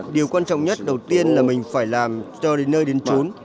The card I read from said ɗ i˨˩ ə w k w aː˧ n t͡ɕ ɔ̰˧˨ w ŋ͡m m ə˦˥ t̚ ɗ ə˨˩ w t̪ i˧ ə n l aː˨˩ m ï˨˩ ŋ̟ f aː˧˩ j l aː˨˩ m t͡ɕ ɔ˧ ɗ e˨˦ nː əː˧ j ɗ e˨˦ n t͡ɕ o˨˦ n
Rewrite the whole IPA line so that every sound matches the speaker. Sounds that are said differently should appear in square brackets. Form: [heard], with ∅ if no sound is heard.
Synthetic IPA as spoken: ɗ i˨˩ ə w k w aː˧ n t͡ɕ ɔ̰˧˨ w ŋ͡m [ɲ] ə˦˥ t̚ ɗ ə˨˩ w t̪ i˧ ə n l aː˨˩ m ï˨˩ ŋ̟ f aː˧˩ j l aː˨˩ m t͡ɕ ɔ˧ ɗ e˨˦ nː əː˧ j ɗ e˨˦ n t͡ɕ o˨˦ n